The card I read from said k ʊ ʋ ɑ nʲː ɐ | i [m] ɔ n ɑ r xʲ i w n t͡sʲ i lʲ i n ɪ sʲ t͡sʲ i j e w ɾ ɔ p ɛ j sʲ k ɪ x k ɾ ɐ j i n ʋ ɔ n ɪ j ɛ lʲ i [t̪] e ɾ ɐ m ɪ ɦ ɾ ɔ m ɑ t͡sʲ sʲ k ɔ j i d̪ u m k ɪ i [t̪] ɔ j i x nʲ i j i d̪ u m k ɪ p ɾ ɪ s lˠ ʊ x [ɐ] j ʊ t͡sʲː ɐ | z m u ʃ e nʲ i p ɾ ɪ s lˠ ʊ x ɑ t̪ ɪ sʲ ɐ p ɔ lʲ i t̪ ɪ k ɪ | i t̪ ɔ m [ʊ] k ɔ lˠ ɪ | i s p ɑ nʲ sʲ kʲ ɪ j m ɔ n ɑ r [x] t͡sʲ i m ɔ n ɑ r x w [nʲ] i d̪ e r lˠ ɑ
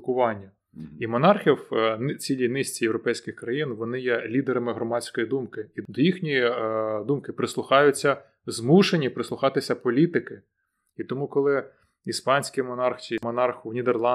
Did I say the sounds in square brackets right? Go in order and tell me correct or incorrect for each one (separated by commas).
correct, incorrect, incorrect, incorrect, incorrect, correct, correct